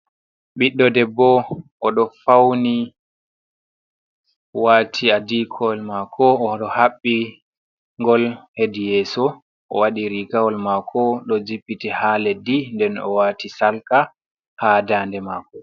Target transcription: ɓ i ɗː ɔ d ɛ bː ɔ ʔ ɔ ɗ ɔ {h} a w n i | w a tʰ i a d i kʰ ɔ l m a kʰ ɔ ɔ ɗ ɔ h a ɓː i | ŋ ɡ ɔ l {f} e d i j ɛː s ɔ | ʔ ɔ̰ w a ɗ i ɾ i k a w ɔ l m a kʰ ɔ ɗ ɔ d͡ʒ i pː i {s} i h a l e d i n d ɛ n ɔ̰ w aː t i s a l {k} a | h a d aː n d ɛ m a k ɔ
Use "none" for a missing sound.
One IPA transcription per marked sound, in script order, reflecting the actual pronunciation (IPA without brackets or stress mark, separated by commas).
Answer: f, h, t, k